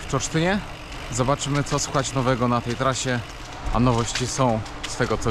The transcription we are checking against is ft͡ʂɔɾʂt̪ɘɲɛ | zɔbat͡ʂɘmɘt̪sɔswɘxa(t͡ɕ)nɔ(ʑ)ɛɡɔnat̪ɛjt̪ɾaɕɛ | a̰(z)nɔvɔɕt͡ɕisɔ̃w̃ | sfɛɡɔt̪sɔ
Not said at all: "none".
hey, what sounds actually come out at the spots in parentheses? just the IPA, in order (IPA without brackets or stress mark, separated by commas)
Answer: t͡ɕ, v, none